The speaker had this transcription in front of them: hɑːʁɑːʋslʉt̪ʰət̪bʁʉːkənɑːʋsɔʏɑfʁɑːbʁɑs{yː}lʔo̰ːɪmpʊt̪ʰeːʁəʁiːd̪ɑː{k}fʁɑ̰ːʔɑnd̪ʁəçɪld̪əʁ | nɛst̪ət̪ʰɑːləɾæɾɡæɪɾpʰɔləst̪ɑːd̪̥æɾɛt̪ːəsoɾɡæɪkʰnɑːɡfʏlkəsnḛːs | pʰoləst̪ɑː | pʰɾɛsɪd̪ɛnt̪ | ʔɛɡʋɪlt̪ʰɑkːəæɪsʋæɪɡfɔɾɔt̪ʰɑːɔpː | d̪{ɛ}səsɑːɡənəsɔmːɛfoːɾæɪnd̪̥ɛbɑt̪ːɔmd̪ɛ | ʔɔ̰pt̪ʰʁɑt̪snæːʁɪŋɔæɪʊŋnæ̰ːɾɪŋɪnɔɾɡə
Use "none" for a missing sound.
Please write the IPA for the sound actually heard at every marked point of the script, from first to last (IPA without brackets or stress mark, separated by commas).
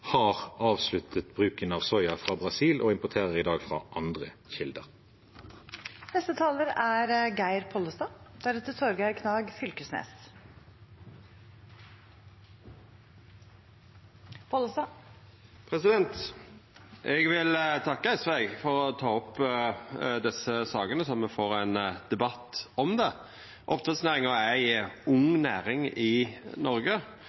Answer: iː, ɡ, ɛ